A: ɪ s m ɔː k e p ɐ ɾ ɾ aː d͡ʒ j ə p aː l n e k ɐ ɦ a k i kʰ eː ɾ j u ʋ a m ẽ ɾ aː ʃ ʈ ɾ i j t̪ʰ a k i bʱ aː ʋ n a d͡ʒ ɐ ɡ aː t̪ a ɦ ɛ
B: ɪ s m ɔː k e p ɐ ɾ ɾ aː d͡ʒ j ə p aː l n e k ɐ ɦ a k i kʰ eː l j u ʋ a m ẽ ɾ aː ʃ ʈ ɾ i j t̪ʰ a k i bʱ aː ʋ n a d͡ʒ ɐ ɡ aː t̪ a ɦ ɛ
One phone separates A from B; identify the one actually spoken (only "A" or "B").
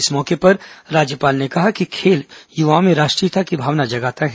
B